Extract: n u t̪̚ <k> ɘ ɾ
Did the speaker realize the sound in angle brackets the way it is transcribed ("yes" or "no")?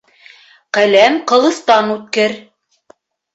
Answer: yes